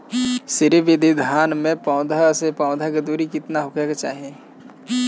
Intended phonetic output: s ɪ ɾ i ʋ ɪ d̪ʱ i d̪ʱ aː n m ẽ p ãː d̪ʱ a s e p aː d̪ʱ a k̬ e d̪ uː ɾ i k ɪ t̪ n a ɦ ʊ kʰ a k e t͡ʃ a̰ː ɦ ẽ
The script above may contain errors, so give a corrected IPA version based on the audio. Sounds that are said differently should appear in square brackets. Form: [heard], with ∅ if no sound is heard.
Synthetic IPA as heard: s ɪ ɾ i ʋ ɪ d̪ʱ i d̪ʱ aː n m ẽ p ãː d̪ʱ a s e p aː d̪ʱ a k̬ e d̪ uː ɾ i k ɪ t̪ n a ɦ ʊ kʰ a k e t͡ʃ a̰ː ɦ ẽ